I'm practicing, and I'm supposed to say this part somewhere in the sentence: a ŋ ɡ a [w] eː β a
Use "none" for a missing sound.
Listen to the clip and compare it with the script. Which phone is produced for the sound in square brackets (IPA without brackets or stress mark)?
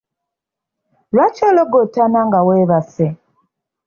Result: w